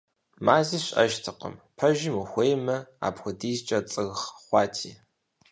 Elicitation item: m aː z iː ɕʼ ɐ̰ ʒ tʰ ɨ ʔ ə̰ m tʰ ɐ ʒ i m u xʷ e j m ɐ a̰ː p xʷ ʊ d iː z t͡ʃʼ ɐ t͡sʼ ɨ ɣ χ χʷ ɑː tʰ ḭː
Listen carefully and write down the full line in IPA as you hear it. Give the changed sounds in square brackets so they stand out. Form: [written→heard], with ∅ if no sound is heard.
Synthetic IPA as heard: m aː z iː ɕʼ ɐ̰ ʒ tʰ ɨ [ʔ→q] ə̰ m [tʰ→pʰ] ɐ ʒ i m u xʷ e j m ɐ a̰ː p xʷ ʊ d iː z t͡ʃʼ ɐ t͡sʼ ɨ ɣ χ χʷ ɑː tʰ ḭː